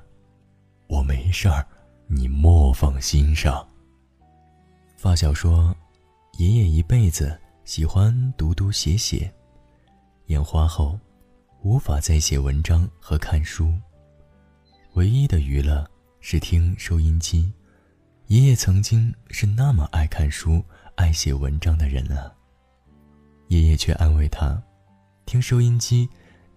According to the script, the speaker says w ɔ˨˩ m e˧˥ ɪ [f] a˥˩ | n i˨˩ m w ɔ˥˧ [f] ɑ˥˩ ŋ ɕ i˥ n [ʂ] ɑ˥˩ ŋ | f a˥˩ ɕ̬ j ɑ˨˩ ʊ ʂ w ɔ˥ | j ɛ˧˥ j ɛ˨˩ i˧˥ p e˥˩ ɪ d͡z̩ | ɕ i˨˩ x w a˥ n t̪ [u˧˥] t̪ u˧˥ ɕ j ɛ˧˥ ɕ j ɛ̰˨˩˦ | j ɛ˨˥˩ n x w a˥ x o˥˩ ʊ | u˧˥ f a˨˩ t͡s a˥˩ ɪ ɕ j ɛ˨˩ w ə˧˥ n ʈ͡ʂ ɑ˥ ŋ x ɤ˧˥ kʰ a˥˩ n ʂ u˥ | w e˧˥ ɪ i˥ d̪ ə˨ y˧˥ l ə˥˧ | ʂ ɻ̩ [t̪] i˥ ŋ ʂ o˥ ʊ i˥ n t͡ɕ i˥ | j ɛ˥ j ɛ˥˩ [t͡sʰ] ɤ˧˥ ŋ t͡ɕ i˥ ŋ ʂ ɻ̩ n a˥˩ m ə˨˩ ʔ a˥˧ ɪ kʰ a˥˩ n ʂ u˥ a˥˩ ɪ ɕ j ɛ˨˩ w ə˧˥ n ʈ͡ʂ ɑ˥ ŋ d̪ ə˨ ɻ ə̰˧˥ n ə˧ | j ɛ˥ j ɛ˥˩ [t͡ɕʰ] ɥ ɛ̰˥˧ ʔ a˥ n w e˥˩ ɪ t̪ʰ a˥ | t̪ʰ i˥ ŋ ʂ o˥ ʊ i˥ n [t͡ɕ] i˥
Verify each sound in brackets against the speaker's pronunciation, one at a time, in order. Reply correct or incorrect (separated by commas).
incorrect, correct, correct, correct, incorrect, correct, correct, correct